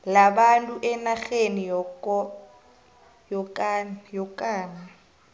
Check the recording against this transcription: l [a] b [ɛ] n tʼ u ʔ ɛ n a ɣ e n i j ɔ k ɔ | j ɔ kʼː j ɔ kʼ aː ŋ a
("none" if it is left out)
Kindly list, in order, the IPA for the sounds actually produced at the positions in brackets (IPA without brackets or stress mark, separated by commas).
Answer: a, a